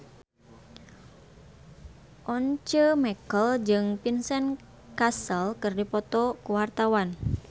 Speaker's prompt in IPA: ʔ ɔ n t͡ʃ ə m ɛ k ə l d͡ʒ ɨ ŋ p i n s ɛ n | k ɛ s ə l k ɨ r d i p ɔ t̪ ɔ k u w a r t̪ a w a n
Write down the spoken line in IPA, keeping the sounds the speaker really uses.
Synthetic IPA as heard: ʔ ɔ n t͡ʃ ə m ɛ k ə l d͡ʒ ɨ ŋ p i n s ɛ n | k a s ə l k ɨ r d i p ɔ t̪ ɔ k u w a r t̪ a w a n

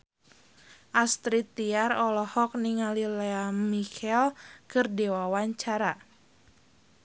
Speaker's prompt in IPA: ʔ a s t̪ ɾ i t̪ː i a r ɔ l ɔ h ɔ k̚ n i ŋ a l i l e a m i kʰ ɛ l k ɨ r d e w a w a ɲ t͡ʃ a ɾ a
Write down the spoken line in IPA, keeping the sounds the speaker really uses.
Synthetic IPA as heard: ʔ a s t̪ ɾ i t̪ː i a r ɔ l ɔ h ɔ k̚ n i ŋ a l i l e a m i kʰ ɛ l k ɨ r d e w a w a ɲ t͡ʃ a ɾ a

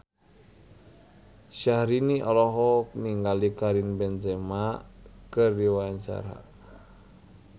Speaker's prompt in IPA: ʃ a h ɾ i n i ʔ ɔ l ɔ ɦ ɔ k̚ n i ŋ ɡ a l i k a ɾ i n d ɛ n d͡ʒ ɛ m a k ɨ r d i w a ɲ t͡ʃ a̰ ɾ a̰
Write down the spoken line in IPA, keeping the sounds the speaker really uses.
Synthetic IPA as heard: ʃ a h ɾ i n i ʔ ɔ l ɔ ɦ ɔ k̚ n i ŋ ɡ a l i k a ɾ i n b ɛ n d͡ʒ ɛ m a k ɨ r d i w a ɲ t͡ʃ a̰ ɾ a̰

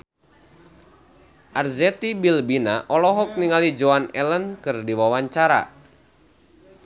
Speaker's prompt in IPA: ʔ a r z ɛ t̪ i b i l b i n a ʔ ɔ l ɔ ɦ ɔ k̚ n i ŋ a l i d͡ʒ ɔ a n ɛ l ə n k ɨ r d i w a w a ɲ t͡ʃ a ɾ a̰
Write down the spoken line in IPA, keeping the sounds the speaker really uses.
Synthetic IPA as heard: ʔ a r z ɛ t̪ i b i l b i n a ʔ ɔ l ɔ ɦ ɔ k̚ n i ŋ a l i d͡ʒ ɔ a n ɛ l ə n k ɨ r d i w a w a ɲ t͡ʃ a ɾ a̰

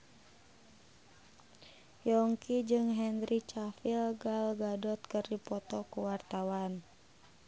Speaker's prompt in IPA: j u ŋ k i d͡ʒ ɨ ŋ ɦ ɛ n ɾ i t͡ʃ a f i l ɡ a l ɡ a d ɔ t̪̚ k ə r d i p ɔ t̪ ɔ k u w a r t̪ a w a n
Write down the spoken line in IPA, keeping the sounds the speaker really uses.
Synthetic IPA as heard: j ɔ ŋ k i d͡ʒ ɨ ŋ ɦ ɛ n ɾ i t͡ʃ a f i l ɡ a l ɡ a d ɔ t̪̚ k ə r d i p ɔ t̪ ɔ k u w a r t̪ a w a n

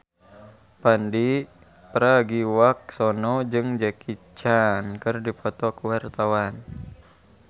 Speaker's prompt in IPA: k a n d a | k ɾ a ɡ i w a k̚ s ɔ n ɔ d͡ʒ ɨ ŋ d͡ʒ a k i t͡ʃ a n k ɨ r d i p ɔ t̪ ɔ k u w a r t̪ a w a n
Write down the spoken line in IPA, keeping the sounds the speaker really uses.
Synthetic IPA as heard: p a n d i | p ɾ a ɡ i w a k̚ s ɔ n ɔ d͡ʒ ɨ ŋ d͡ʒ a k i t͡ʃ a n k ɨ r d i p ɔ t̪ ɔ k u w a r t̪ a w a n

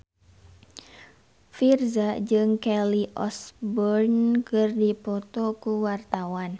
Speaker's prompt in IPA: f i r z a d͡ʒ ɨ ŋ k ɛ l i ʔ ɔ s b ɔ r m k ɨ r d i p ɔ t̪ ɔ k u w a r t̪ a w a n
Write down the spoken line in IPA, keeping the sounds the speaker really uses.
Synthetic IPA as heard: f i r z a d͡ʒ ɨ ŋ k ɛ l i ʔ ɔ s b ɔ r n k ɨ r d i p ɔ t̪ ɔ k u w a r t̪ a w a n

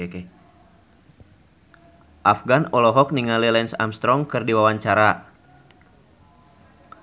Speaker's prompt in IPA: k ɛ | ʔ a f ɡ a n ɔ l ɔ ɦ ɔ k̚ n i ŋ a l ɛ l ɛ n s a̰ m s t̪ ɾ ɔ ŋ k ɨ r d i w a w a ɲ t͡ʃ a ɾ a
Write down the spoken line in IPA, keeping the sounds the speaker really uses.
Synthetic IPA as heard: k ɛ | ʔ a f ɡ a n ɔ l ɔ ɦ ɔ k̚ n i ŋ a l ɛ l ɛ n s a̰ m s t̪ ɾ ɔ ŋ k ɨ r d i w a w a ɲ t͡ʃ a ɾ a

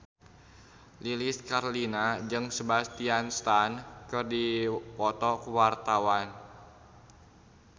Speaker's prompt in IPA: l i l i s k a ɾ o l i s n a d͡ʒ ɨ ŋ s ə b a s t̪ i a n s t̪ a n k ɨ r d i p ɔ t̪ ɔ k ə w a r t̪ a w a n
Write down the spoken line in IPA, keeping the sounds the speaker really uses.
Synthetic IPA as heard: l i l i s k a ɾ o l i n a d͡ʒ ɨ ŋ s ə b a s t̪ i a n s t̪ a n k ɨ r d i p ɔ t̪ ɔ k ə w a r t̪ a w a n

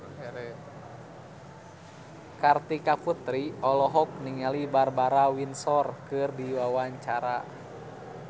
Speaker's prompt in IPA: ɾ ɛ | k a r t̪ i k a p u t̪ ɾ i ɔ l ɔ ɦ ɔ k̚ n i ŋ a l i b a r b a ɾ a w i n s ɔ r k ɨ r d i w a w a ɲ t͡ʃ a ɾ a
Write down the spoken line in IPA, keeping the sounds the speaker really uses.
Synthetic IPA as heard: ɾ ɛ | k a r t̪ i k a p u t̪ ɾ i ɔ l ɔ ɦ ɔ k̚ n i ŋ a l i b a r b a ɾ a w i n s ɔ r k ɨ r d i w a w a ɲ t͡ʃ a ɾ a

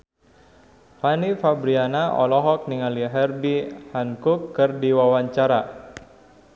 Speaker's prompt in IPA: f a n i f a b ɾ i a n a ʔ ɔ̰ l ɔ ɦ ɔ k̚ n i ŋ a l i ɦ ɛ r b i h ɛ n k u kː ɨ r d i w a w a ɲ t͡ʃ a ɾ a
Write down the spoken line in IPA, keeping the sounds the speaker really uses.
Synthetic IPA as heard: f a n i f a b ɾ i a n a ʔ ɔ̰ l ɔ ɦ ɔ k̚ n i ŋ a l i ɦ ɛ r b i h a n k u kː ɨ r d i w a w a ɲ t͡ʃ a ɾ a

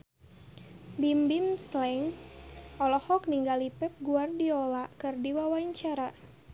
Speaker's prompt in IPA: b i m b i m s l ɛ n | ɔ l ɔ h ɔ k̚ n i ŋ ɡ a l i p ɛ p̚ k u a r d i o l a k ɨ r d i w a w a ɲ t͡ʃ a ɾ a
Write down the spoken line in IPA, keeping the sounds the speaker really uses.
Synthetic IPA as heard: b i m b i m s l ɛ ŋ | ɔ l ɔ h ɔ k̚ n i ŋ ɡ a l i p ɛ p̚ ɡ u a r d i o l a k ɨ r d i w a w a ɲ t͡ʃ a ɾ a

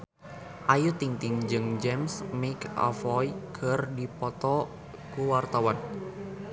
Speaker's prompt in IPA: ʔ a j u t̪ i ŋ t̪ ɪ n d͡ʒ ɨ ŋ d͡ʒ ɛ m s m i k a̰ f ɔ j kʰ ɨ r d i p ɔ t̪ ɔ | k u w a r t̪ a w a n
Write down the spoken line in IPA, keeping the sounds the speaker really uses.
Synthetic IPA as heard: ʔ a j u t̪ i ŋ t̪ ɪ ŋ d͡ʒ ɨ ŋ d͡ʒ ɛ m s m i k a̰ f ɔ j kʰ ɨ r d i p ɔ t̪ ɔ | k u w a r t̪ a w a n

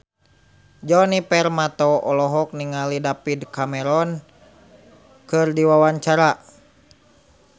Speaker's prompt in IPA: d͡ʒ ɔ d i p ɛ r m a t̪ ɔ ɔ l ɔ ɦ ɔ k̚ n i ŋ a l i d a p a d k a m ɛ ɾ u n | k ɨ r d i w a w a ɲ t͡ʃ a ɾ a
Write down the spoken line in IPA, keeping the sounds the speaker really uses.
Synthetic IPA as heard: d͡ʒ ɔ n i p ɛ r m a t̪ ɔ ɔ l ɔ ɦ ɔ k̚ n i ŋ a l i d a p i d k a m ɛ ɾ ɔ n | k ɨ r d i w a w a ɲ t͡ʃ a ɾ a

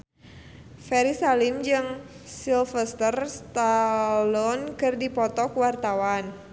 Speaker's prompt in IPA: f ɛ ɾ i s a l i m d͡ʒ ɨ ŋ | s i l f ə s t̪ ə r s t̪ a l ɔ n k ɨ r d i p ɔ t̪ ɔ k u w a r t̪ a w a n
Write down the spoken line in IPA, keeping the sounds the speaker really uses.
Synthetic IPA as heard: f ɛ ɾ i s a l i m d͡ʒ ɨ ŋ | s i l f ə s t̪ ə r s t̪ a l ɔ n k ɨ r d i p ɔ t̪ ɔ k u w a r t̪ a w a n

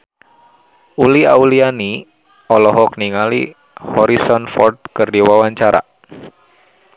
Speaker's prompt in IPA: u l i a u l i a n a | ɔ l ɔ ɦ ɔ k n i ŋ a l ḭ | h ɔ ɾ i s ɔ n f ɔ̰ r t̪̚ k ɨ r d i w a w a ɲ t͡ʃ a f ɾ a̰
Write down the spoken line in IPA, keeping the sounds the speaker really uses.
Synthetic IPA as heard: u l i a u l i a n i | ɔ l ɔ ɦ ɔ k n i ŋ a l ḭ | h ɔ ɾ i s ɔ n f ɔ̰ r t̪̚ k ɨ r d i w a w a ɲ t͡ʃ a ɾ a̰

